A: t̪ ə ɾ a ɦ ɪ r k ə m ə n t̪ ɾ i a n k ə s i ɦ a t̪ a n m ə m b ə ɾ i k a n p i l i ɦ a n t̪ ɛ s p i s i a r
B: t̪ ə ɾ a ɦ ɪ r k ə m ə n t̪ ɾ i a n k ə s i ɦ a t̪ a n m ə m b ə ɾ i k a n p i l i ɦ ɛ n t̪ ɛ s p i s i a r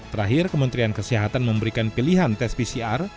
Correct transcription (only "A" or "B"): A